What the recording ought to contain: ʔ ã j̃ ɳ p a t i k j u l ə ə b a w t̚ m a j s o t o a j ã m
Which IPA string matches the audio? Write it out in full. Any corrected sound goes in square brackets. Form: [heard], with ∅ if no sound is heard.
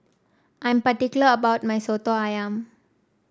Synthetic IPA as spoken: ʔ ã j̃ [m] p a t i k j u l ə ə b a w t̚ m a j s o t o a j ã m